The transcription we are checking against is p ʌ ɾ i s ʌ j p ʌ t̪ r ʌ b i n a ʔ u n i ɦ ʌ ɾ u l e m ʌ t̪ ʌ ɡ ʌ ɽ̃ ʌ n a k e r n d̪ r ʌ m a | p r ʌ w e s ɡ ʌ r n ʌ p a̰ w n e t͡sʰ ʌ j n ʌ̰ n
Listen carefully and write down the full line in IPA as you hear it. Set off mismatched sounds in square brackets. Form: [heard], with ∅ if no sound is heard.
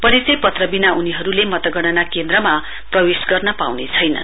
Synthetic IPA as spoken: p ʌ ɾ i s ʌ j p ʌ t̪ r ʌ b i n a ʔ u n i ɦ ʌ ɾ u l e m ʌ t̪ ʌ ɡ ʌ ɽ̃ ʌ n a k e [∅] n d̪ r ʌ m a | p r ʌ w e s ɡ ʌ r n ʌ p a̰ w n e t͡sʰ ʌ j n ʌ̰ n